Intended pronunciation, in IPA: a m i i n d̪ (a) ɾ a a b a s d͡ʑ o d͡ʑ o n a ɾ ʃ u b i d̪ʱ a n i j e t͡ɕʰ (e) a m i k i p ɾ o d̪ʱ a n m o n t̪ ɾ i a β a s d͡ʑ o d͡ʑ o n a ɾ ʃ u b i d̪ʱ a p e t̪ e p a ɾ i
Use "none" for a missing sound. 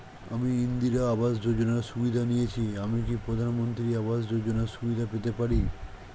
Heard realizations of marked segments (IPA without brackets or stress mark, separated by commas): i, i